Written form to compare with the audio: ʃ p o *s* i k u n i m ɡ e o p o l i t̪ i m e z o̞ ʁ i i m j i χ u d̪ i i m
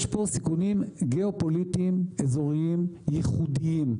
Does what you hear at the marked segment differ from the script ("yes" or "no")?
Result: no